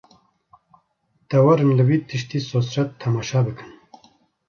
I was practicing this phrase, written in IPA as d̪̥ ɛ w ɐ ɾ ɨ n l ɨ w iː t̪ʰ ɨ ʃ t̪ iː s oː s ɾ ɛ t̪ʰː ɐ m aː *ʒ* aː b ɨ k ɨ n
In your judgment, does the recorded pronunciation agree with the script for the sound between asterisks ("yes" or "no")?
no